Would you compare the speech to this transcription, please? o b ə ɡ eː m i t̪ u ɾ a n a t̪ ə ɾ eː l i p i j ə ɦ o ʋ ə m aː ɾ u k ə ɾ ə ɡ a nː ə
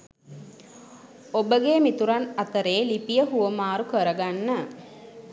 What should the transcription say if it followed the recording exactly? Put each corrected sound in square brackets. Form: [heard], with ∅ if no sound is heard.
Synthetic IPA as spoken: o b ə ɡ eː m i t̪ u ɾ a n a t̪ ə ɾ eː l i p i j ə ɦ [u] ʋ ə m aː ɾ u k ə ɾ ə ɡ a nː ə